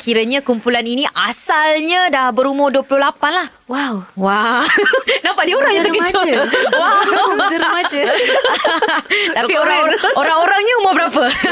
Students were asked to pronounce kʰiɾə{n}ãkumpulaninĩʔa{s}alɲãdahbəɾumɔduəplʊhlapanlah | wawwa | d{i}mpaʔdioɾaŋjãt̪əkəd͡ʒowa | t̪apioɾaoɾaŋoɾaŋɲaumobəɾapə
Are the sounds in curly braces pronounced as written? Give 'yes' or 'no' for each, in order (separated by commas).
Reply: no, yes, no